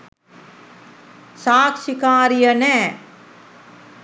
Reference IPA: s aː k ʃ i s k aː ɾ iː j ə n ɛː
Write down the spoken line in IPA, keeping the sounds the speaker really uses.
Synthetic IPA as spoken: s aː k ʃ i k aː ɾ i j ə n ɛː